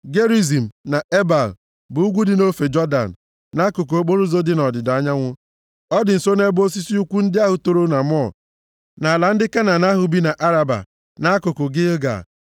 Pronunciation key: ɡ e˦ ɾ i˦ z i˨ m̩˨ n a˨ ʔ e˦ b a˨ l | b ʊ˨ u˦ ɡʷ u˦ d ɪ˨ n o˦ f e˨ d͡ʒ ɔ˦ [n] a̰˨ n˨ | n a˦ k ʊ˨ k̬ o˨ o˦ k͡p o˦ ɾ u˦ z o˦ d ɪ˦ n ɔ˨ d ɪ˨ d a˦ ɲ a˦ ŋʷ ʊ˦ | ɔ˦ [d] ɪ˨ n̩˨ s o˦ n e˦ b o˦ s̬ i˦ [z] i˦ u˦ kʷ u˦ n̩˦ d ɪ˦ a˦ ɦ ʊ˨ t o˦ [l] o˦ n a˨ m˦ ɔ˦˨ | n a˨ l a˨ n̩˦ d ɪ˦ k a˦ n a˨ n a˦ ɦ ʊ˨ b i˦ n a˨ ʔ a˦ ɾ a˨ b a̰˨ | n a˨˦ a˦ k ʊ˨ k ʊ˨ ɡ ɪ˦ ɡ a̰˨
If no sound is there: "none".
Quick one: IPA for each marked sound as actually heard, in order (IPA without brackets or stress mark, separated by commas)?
d, d, s, ɾ